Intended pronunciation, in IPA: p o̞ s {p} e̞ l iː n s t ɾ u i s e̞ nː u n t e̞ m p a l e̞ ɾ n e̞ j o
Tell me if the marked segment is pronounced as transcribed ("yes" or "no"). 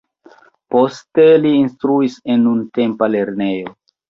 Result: no